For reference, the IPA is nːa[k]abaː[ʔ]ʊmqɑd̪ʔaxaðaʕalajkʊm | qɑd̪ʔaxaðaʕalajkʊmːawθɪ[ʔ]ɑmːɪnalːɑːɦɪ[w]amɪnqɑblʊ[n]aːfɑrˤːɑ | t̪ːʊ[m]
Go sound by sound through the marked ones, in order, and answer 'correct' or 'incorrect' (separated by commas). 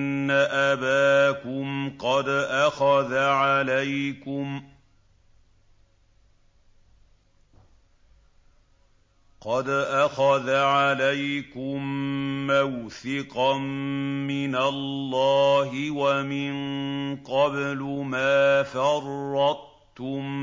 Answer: incorrect, incorrect, incorrect, correct, incorrect, correct